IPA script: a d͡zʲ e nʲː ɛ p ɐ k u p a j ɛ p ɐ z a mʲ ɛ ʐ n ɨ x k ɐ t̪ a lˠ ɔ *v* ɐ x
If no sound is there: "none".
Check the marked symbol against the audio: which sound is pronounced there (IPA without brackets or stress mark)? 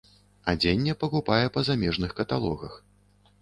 ɣ